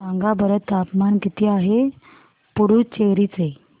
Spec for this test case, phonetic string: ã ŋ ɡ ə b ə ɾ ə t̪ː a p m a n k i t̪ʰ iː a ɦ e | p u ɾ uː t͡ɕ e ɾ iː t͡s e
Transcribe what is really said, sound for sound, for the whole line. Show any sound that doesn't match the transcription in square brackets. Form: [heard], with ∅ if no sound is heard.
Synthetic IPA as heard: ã ŋ ɡ [a] b ə ɾ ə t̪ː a p m a n k i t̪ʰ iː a ɦ e | p u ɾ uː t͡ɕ e ɾ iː t͡s e

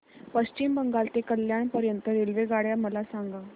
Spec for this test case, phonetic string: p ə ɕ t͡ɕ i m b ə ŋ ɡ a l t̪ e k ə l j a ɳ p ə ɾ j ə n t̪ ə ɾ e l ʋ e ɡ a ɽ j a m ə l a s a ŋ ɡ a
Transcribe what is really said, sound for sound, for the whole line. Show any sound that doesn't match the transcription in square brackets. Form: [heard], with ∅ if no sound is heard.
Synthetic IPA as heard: p ə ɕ t͡ɕ i m b ə ŋ ɡ a l t̪ e k ə l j a ɳ p ə ɾ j ə n t̪ ə ɾ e l ʋ e ɡ a ɽ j a m ə l a s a ŋ ɡ a

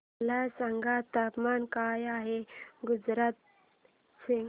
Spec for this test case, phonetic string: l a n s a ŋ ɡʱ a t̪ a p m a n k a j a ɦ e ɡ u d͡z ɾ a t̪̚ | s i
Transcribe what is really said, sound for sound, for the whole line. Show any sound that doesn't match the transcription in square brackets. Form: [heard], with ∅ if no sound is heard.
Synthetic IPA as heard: l a [∅] s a ŋ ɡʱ a t̪ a p m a n k a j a ɦ e ɡ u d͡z ɾ a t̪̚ | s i

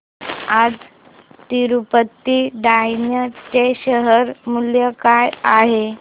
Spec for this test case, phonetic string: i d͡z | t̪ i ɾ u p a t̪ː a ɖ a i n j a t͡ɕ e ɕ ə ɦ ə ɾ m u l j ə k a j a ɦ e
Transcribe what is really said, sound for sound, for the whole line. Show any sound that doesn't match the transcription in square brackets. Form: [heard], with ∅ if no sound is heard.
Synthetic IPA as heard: [a] d͡z | t̪ i ɾ u p [ə] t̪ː [i] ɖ a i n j [ə] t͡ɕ e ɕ ə ɦ ə ɾ m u l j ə k a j a ɦ e

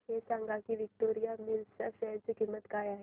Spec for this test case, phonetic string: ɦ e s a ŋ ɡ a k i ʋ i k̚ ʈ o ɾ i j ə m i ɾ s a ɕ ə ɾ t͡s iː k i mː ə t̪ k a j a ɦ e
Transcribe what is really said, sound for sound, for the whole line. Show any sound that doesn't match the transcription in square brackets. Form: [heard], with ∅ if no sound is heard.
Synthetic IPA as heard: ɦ e s a ŋ ɡ a k i ʋ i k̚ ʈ o ɾ i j [a] m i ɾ s a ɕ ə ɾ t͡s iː k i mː ə t̪ k a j a ɦ e

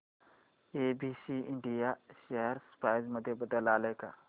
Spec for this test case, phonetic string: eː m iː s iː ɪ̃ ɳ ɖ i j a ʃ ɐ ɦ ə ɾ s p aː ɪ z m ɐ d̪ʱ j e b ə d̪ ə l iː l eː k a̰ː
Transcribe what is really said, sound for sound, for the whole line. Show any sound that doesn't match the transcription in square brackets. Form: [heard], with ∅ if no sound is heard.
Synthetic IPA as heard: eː [b] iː s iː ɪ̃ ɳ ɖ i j a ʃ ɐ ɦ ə ɾ s p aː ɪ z m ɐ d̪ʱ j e b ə d̪ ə l [aː] l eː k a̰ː

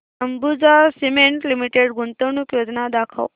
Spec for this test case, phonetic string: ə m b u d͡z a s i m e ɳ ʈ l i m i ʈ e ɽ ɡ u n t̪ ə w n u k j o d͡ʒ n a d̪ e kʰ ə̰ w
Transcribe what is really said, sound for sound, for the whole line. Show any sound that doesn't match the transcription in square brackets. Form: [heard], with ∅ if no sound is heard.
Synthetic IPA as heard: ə m b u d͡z a s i m e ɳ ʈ l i m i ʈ e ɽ ɡ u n t̪ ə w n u k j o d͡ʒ n a d̪ [a] kʰ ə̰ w

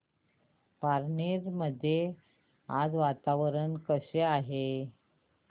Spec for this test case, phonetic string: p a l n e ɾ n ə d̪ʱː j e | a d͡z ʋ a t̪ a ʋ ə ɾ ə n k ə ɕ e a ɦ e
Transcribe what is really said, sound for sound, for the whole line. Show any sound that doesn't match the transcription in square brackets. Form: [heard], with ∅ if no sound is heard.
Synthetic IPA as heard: p a [ɾ] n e ɾ [m] ə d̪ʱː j e | a d͡z ʋ a t̪ a ʋ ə ɾ ə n k ə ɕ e a ɦ e

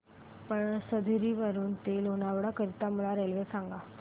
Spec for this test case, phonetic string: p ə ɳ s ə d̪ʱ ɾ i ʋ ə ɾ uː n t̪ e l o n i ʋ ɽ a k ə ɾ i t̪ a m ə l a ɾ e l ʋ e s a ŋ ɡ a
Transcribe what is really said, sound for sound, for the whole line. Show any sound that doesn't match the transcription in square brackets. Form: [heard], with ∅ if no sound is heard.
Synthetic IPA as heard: p ə ɳ s ə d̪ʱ ɾ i ʋ ə ɾ uː n t̪ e l o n [a] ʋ ɽ a k ə ɾ i t̪ a m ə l a ɾ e l ʋ e s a ŋ ɡ a

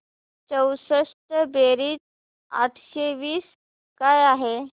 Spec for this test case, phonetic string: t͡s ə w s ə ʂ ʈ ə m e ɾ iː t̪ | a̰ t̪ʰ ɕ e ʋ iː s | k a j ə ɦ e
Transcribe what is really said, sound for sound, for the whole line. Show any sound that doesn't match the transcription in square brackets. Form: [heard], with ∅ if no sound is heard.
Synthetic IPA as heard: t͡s ə w s ə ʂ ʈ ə [b] e ɾ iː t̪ | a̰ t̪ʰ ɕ e ʋ iː s | k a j [a] ɦ e

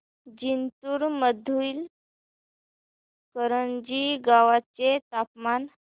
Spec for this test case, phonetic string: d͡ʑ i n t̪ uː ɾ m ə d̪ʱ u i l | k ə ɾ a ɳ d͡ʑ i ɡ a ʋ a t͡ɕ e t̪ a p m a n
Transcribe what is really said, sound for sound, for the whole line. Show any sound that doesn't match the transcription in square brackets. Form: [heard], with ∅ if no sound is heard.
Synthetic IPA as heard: d͡ʑ i n t̪ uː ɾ m ə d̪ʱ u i l | k ə ɾ [ə] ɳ d͡ʑ i ɡ a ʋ a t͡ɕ e t̪ a p m a n

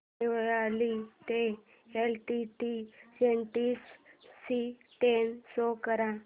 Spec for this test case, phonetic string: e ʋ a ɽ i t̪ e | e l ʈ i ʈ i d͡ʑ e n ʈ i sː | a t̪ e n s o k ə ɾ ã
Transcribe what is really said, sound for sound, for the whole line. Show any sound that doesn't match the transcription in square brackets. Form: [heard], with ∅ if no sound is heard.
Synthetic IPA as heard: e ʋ a [l] i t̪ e | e l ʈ i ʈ i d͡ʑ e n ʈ i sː | [i] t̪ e n s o k ə ɾ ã

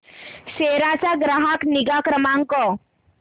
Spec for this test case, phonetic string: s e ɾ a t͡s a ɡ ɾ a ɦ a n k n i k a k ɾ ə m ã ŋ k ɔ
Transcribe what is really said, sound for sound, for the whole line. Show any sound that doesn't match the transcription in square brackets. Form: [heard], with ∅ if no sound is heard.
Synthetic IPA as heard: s e ɾ a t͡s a ɡ ɾ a ɦ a [∅] k n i [ɡ] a k ɾ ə m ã ŋ k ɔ

